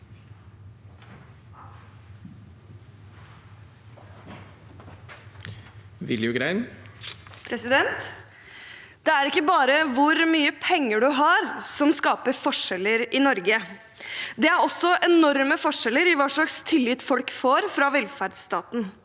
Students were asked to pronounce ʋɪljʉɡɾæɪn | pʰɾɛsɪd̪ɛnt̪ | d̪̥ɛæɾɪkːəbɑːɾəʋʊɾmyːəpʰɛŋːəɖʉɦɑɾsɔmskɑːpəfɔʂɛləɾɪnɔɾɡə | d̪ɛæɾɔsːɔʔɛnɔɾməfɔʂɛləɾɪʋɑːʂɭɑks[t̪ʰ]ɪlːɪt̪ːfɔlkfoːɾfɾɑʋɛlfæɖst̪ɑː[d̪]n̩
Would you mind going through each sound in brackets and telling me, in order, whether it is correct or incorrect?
correct, incorrect

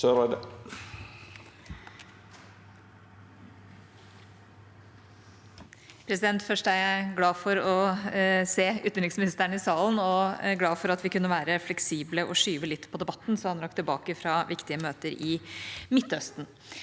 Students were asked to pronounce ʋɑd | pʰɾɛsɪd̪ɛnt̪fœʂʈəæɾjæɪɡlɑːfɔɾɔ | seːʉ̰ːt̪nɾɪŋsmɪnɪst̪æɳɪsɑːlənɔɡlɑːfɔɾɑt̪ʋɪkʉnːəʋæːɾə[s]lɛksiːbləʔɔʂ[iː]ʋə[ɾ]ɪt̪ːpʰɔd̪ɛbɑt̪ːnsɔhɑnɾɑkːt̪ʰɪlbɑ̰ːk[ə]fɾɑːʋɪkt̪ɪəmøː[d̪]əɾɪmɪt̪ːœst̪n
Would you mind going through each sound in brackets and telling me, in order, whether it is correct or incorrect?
incorrect, incorrect, incorrect, correct, incorrect

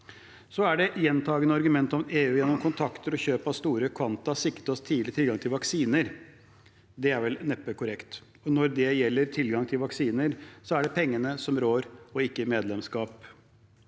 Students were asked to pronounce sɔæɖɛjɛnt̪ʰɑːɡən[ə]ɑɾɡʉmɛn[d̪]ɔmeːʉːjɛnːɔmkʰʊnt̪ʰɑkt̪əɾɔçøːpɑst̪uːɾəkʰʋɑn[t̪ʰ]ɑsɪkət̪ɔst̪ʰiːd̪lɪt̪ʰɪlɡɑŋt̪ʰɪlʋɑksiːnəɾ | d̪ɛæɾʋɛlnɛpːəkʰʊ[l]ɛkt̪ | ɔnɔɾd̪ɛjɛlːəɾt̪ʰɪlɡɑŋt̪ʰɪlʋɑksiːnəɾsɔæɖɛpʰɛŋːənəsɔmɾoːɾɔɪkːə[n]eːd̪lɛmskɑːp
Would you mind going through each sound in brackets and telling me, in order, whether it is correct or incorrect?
correct, incorrect, incorrect, incorrect, incorrect

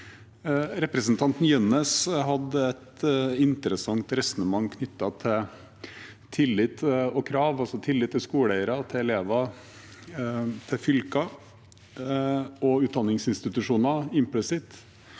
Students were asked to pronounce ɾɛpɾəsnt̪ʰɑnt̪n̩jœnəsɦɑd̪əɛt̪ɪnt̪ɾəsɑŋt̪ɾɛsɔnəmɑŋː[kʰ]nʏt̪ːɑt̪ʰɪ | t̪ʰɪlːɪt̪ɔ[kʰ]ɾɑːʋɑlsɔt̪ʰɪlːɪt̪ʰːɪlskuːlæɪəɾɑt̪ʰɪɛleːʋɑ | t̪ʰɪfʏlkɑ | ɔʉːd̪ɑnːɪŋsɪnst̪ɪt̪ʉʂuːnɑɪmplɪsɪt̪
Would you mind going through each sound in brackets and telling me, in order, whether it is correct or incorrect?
correct, correct

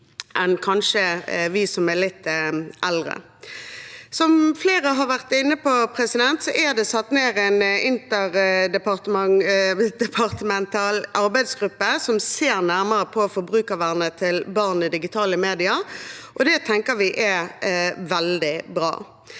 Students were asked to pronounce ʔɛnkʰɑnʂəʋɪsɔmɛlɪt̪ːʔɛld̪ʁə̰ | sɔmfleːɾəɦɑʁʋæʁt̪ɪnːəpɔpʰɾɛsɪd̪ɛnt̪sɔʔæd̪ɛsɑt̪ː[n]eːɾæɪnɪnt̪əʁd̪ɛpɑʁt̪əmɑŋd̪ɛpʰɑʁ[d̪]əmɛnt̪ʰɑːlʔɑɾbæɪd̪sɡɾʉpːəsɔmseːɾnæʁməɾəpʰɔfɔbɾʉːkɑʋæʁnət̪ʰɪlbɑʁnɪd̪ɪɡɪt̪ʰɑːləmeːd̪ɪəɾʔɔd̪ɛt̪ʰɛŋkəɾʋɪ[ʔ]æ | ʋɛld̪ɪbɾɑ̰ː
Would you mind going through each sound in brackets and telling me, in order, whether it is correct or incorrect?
correct, incorrect, correct

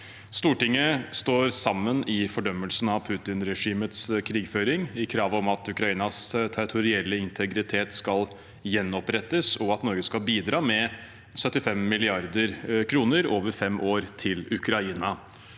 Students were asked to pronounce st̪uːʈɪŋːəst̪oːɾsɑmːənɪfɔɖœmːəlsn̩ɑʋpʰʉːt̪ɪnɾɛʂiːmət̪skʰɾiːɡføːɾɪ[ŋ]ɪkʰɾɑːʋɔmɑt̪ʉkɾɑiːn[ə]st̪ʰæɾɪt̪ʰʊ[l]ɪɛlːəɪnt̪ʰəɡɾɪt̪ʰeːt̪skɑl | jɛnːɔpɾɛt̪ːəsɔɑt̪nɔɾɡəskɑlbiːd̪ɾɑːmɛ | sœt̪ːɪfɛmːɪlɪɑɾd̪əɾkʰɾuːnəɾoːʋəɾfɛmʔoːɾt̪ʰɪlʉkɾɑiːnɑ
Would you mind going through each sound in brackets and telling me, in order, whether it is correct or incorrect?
correct, incorrect, incorrect

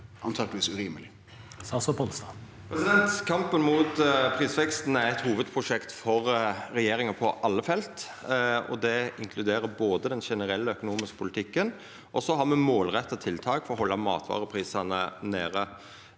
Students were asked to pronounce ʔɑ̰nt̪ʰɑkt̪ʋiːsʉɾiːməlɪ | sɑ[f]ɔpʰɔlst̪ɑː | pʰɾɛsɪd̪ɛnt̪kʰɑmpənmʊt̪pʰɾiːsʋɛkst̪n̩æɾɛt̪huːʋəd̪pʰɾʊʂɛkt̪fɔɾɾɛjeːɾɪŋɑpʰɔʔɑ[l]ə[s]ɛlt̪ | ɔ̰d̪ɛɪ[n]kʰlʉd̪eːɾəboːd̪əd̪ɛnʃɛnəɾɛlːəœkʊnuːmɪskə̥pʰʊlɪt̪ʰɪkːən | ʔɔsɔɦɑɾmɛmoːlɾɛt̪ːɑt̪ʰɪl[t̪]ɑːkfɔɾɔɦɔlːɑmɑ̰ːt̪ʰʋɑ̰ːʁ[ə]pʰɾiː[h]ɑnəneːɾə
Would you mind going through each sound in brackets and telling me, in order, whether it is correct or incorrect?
incorrect, incorrect, incorrect, incorrect, incorrect, correct, incorrect

